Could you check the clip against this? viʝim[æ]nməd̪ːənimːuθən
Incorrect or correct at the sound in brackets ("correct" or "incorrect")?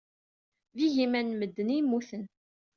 correct